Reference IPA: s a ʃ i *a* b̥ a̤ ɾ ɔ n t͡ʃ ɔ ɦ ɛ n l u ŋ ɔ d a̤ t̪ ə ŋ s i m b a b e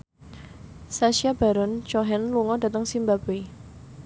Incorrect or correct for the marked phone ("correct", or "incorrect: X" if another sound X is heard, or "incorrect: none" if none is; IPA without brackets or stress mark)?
correct